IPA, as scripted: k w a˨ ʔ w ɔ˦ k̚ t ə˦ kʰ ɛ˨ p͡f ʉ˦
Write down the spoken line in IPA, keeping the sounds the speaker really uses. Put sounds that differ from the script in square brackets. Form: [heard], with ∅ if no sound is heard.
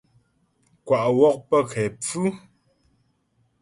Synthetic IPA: k w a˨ ʔ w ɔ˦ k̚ [p] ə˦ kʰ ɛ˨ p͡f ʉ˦